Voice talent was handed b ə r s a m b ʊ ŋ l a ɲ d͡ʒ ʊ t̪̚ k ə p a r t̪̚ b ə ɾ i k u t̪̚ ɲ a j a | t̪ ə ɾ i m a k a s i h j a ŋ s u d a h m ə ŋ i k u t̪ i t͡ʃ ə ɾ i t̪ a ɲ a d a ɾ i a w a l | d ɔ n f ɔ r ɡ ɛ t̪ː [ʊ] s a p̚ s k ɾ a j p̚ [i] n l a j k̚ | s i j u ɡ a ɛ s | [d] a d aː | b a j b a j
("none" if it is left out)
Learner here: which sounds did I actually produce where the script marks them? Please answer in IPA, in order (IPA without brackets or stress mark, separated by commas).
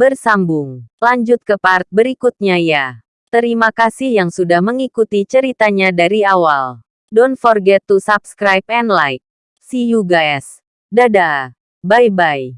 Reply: u, ɛ, d